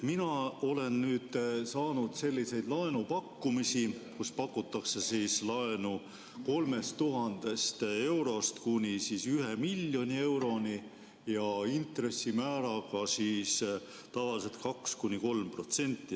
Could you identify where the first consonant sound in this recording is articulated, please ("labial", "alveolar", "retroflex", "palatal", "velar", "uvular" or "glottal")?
labial